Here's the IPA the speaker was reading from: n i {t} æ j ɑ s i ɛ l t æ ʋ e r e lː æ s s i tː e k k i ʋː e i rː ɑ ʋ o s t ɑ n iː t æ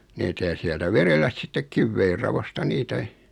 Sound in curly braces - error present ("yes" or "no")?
no